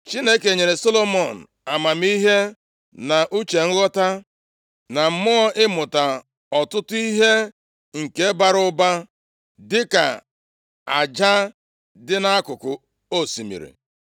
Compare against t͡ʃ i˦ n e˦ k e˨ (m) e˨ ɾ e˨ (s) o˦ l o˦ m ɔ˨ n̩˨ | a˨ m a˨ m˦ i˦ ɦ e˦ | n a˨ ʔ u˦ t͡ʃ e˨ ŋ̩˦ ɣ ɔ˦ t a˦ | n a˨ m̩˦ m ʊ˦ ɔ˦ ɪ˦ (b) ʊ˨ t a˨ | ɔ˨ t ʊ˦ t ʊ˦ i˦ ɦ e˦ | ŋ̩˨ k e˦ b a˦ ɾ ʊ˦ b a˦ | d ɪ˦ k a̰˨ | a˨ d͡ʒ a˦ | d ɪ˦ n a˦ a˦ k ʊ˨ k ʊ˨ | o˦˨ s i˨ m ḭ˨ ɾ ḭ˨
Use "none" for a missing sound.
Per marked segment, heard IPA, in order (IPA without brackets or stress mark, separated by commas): ɲ, s, m